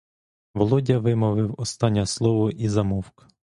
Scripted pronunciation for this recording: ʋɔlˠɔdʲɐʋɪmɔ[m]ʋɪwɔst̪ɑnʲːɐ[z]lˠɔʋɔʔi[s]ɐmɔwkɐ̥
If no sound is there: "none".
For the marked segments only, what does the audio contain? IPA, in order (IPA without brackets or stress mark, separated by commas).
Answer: none, s, z